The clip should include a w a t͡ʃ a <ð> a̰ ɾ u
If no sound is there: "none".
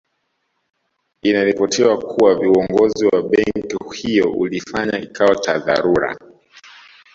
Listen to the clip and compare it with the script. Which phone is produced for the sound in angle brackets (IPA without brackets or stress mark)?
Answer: ð